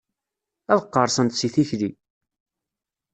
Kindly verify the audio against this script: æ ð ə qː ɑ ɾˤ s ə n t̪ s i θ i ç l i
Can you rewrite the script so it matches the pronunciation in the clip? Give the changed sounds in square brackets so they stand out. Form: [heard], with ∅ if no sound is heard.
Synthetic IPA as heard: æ ð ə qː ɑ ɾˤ s ə n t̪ s i θ i ç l i